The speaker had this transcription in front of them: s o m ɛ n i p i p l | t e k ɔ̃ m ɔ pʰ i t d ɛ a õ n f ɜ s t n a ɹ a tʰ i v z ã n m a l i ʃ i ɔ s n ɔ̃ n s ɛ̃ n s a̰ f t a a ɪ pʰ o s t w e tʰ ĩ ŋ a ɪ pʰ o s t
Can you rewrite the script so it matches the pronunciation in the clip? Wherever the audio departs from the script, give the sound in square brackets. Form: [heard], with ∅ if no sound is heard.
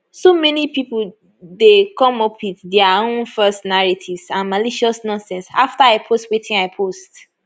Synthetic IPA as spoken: s o m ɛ n i p i p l | [d] e k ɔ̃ m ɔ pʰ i t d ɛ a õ n f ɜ s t n a ɹ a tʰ i v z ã n m a l i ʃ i ɔ s n ɔ̃ n s ɛ̃ n s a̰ f t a a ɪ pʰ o s t w e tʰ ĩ ŋ a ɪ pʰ o s t

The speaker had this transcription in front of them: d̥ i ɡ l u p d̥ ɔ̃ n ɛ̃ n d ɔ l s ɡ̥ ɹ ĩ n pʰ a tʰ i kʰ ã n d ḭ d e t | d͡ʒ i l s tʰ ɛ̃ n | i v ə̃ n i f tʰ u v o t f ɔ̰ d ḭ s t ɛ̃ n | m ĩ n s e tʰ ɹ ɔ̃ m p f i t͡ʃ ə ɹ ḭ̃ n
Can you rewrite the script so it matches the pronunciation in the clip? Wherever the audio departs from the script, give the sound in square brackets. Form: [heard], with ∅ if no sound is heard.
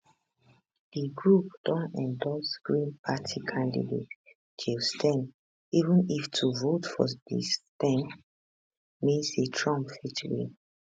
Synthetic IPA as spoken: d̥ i ɡ [ɹ] u p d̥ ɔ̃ n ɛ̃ n d ɔ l s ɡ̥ ɹ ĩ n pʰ a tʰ i kʰ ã n d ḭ d e t | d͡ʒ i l s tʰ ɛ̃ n | i v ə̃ n i f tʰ u v o t f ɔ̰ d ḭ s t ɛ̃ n | m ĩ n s e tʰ ɹ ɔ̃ m p f i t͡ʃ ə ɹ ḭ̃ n

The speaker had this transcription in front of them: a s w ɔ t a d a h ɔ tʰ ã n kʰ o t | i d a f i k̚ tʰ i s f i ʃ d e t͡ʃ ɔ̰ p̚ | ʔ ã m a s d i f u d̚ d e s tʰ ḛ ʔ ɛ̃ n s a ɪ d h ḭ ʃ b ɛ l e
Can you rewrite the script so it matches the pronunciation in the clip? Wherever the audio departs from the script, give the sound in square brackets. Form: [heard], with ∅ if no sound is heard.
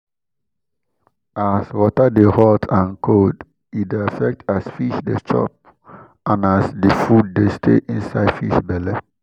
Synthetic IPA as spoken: a s w ɔ t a d [e] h ɔ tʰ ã n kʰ o [d] | i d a f [ɛ] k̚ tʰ [a] s f i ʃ d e t͡ʃ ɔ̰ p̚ | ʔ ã [n] a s d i f u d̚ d e s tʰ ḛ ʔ [ĩ] n s a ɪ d [f] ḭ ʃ b ɛ l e

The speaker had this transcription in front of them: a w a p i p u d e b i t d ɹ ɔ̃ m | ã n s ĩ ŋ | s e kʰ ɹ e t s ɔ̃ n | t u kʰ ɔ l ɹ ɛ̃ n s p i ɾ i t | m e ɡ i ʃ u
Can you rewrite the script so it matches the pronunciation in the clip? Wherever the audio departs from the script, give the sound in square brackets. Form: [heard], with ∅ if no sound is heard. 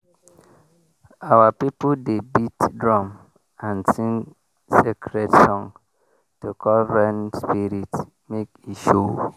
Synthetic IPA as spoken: a w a p i p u d e b i t d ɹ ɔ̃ m | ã n s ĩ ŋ | s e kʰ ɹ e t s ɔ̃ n | t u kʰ ɔ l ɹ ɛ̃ n s p i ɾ i t | m e [k] i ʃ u

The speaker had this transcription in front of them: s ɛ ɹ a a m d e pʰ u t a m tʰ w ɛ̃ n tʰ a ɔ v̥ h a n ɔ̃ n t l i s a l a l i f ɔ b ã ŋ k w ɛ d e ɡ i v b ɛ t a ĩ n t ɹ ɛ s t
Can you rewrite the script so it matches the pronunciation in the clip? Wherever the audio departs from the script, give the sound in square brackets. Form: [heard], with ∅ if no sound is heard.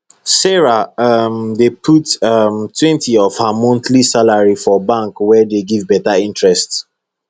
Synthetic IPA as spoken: s ɛ ɹ a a m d e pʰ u t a m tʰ w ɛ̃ n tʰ [i] ɔ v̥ h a [m] ɔ̃ n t l i s a l a [ɹ] i f ɔ b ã ŋ k w ɛ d e ɡ i v b ɛ t a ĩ n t ɹ ɛ s t

